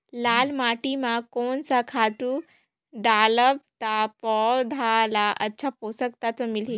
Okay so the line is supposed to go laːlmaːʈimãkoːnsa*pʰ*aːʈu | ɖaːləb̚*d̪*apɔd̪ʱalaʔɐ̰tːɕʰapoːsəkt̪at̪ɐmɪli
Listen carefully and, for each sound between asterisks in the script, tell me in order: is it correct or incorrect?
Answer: incorrect, incorrect

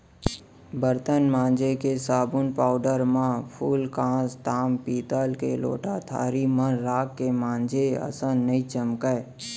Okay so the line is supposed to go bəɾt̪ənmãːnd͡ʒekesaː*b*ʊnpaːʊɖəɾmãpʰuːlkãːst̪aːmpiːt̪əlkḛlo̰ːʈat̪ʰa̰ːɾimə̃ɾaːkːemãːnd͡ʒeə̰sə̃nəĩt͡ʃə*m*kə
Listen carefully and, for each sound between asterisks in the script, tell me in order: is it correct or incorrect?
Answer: correct, correct

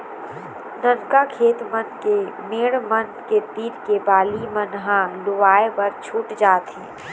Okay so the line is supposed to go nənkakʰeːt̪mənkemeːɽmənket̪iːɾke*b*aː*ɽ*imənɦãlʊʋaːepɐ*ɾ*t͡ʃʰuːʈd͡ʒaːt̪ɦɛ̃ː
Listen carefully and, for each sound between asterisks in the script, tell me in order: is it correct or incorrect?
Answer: correct, incorrect, correct

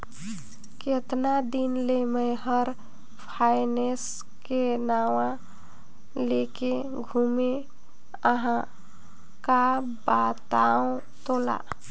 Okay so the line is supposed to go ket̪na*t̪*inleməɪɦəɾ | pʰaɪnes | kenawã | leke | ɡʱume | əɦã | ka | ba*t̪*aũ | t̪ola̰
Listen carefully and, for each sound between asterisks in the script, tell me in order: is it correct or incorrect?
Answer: incorrect, correct

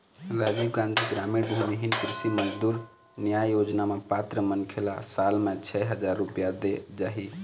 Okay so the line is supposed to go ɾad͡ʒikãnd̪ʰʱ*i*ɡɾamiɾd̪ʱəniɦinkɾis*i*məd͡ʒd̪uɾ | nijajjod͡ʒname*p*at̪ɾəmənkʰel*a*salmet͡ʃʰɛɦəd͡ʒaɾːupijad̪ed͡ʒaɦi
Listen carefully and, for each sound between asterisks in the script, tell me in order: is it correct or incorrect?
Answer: correct, correct, correct, correct

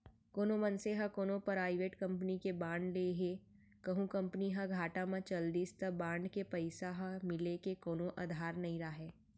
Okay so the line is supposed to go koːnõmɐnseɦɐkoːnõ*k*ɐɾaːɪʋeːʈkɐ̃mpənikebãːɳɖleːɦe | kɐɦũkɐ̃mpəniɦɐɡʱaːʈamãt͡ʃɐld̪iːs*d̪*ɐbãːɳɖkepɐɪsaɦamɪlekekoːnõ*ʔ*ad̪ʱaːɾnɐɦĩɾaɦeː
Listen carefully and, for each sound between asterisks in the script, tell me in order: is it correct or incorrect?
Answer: incorrect, incorrect, correct

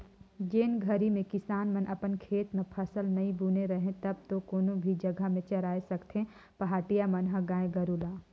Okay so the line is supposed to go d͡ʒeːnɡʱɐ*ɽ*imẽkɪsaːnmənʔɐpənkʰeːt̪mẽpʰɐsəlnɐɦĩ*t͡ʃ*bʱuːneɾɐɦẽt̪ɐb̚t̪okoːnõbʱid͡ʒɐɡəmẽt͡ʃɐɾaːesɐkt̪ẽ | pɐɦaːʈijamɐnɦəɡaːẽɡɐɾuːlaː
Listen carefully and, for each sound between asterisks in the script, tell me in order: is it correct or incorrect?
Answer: incorrect, incorrect

